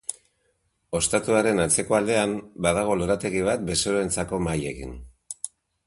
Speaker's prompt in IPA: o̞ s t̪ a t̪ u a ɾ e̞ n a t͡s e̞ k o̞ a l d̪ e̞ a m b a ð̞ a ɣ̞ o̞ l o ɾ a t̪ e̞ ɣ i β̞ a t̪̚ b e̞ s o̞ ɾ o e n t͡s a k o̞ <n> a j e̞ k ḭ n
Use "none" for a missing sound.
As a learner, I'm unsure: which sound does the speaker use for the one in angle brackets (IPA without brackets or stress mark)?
m